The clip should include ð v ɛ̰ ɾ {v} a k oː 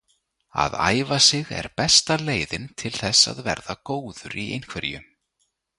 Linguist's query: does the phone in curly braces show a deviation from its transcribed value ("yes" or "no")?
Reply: yes